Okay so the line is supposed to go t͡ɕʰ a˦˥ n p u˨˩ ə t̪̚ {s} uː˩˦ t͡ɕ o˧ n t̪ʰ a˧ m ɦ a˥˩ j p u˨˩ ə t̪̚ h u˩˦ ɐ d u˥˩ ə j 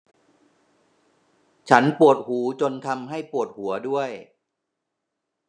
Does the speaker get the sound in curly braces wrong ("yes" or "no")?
yes